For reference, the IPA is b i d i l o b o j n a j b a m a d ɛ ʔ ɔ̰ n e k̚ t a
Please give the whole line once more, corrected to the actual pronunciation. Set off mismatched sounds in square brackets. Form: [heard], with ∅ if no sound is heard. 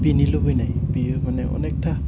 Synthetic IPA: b i [n] i l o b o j n a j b [i] m a [n] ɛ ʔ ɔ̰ n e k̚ t a